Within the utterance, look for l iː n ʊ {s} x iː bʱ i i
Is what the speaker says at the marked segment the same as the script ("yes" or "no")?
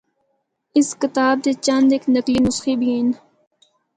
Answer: yes